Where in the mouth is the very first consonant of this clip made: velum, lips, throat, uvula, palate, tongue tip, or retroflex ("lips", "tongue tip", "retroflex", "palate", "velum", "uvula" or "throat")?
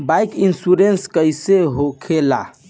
lips